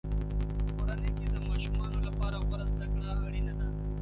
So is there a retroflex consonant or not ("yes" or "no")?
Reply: yes